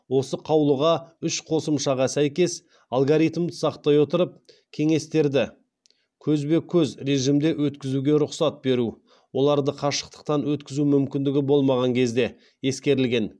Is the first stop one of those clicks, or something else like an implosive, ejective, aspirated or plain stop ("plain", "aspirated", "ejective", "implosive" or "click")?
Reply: aspirated